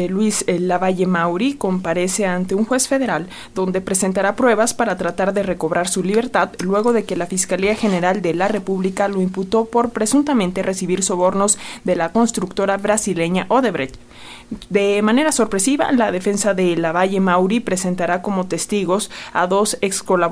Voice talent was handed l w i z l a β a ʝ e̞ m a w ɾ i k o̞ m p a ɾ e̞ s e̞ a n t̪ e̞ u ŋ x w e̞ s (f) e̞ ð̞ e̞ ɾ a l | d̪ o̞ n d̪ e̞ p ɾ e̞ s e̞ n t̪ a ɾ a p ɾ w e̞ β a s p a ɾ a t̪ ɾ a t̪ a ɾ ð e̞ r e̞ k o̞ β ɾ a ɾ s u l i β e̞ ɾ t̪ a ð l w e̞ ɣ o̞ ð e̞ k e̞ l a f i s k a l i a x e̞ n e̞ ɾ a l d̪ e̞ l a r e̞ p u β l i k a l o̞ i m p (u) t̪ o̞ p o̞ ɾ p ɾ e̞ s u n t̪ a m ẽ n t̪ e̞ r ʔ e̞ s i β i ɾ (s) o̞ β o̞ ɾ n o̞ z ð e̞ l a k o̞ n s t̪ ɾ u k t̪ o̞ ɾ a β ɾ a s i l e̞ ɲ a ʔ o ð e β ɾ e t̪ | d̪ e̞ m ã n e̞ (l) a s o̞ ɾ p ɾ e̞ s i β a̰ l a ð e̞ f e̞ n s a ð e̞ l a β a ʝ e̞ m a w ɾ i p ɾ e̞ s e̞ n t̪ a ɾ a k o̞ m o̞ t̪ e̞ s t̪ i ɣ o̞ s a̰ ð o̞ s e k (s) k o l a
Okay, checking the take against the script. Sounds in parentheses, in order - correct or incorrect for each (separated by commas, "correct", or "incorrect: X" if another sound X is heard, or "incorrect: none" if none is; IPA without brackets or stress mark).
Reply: correct, correct, correct, incorrect: ɾ, correct